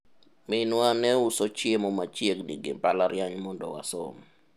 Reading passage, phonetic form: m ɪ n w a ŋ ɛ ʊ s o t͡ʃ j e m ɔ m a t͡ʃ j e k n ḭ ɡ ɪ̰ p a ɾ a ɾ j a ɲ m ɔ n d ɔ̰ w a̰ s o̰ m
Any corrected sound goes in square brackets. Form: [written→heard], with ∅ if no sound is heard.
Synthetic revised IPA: m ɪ n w a [ŋ→n] ɛ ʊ s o t͡ʃ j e m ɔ m a t͡ʃ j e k n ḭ ɡ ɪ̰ p a [ɾ→l] a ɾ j a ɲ m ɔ n d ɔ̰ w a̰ s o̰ m